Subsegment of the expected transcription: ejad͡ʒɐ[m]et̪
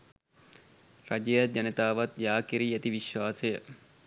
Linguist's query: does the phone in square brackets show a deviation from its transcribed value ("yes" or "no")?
yes